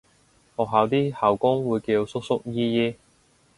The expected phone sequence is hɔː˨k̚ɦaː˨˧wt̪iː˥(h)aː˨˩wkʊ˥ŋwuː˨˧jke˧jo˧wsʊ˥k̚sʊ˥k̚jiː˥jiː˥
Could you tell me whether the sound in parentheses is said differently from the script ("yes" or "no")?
no